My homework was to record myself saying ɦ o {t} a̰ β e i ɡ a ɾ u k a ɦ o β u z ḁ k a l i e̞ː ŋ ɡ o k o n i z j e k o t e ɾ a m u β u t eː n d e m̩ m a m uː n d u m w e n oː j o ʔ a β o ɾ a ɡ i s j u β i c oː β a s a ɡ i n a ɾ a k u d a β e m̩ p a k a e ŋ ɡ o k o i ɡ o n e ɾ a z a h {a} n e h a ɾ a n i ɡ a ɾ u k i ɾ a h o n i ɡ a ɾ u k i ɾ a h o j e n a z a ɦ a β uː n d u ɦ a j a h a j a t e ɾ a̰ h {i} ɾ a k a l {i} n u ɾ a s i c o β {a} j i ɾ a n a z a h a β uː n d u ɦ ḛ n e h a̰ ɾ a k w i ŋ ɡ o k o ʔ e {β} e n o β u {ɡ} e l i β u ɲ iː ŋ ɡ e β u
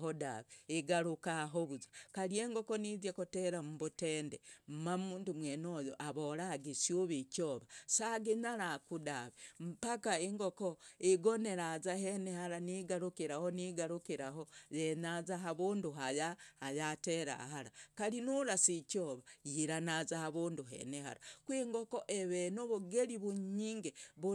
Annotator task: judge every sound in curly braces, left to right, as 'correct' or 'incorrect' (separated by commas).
incorrect, incorrect, incorrect, correct, correct, correct, correct